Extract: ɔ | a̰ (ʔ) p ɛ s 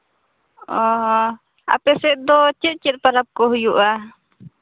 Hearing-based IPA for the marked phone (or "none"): none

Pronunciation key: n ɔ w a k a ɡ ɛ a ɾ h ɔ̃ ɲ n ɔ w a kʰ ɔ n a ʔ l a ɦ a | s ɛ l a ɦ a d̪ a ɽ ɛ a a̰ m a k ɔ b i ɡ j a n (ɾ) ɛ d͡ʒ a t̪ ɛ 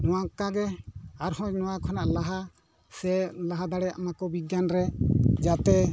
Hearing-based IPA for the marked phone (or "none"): ɾ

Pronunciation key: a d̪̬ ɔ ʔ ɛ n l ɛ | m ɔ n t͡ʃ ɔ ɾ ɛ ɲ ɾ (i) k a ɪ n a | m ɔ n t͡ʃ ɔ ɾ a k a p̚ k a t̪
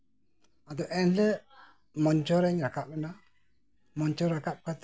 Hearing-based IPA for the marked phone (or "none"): a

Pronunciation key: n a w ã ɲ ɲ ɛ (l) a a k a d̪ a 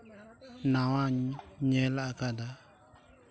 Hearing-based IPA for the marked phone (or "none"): l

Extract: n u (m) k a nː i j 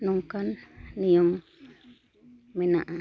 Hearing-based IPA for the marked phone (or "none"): ŋ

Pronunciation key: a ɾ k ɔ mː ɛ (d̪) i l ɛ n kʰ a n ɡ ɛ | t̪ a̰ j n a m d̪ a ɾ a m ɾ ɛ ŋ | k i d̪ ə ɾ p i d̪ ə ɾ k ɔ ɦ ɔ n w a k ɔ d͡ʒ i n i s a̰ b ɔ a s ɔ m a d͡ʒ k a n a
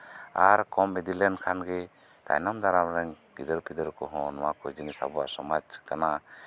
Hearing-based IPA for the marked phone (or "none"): d̪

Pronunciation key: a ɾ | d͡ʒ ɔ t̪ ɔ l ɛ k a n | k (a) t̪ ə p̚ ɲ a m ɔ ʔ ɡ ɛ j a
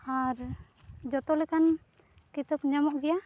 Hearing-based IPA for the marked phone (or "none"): i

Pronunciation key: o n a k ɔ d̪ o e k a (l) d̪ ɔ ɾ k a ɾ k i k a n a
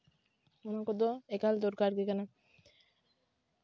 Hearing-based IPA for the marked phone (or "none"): l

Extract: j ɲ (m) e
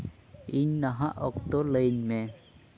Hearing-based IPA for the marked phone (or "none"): m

